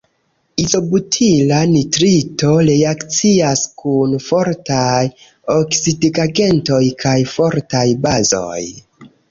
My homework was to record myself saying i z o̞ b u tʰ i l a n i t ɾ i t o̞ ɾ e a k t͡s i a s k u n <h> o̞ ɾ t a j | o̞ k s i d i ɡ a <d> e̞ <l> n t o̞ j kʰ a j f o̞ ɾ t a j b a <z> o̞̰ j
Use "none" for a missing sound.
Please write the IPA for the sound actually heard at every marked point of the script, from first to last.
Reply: f, ɡ, none, z

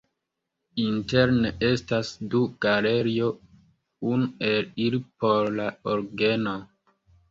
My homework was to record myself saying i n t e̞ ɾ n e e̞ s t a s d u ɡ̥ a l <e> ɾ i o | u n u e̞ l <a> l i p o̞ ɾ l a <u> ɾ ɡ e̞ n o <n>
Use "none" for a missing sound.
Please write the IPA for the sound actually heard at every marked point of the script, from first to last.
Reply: e, i, o, none

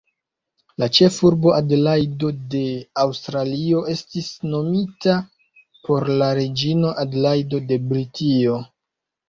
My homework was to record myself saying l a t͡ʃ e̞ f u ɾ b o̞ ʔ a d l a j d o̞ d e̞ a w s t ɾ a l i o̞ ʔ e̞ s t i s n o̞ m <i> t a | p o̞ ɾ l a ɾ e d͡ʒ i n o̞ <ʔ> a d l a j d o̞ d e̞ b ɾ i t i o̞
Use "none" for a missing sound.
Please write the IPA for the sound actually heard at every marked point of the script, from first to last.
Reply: i, ʔ

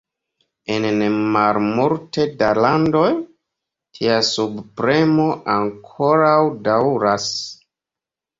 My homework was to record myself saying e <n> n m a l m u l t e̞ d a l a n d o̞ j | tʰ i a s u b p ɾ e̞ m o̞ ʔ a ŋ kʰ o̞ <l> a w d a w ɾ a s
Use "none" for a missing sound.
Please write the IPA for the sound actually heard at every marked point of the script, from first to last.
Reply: n, ɾ

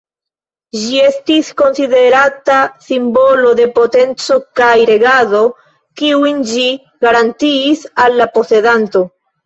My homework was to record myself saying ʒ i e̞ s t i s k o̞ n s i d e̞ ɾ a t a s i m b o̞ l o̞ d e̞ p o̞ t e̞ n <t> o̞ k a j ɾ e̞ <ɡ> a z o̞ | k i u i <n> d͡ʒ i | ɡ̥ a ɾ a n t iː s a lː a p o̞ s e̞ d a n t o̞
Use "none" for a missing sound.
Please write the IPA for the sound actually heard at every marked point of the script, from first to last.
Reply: t͡s, ɡ, n

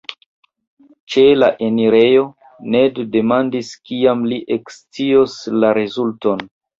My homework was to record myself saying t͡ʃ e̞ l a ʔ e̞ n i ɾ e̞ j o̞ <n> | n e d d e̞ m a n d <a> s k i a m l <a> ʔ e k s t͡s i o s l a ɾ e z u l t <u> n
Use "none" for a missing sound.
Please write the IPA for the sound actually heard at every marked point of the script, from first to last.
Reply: none, i, i, o

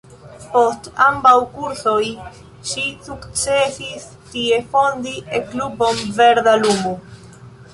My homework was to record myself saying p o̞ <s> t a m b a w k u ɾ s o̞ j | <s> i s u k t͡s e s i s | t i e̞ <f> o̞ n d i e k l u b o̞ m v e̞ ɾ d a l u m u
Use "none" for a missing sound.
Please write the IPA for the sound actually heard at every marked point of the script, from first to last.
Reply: s, ʃ, f

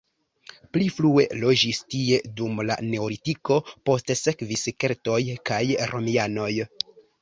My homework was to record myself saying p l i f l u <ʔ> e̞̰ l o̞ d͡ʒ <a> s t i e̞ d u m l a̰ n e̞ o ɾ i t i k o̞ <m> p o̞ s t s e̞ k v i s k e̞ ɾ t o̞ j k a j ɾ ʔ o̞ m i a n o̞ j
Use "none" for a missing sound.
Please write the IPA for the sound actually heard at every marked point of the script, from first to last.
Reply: none, i, none

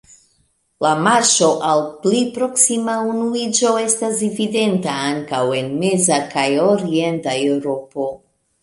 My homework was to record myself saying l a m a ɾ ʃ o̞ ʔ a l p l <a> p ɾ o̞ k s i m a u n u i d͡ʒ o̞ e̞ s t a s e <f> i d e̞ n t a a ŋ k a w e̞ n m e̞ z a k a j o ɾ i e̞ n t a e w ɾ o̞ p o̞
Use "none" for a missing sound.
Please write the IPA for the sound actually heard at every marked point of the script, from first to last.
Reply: i, v

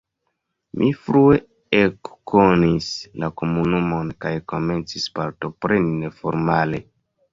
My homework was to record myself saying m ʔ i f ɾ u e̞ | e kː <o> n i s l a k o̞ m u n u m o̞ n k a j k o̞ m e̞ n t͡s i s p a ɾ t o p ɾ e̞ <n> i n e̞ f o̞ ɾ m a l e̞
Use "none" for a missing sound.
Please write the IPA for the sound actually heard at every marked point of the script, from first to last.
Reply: o, n

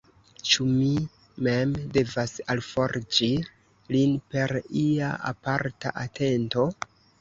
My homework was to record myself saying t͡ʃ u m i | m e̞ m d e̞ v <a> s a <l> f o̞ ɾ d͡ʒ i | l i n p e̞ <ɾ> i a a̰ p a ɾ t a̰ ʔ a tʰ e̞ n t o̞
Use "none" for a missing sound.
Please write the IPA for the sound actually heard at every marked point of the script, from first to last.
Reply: a, l, ɾ

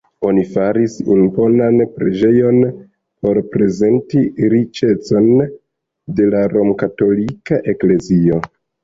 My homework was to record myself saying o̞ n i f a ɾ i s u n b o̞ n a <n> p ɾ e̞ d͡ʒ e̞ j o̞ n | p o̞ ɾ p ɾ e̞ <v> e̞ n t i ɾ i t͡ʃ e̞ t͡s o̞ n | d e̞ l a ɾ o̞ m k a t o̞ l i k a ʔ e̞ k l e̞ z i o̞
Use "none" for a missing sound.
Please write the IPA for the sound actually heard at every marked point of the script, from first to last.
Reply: n, z

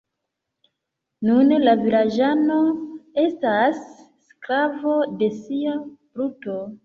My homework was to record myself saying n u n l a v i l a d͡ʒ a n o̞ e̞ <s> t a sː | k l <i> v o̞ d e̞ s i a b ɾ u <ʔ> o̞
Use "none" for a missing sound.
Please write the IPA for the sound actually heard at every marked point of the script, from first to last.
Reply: s, a, t

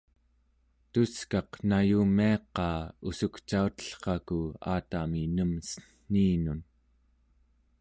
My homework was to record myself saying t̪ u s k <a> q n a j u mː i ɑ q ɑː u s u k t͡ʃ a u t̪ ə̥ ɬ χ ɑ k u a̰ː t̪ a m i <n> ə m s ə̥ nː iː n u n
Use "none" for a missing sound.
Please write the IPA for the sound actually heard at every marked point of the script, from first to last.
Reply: ɑ, n

